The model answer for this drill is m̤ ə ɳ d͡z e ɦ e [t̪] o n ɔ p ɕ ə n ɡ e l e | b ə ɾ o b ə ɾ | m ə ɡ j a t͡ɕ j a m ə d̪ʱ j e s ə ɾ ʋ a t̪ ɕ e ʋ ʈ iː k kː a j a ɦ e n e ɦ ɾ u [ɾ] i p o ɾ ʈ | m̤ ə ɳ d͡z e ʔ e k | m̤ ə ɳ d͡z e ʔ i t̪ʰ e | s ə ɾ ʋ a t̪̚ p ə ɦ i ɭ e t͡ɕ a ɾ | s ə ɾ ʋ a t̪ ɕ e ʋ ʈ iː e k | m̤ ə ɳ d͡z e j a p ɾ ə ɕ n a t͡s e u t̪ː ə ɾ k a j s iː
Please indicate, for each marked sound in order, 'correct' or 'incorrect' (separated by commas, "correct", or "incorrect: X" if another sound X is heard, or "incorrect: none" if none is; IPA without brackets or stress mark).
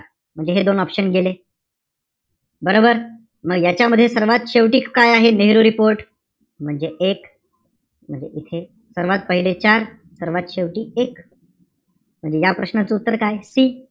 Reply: incorrect: d̪, correct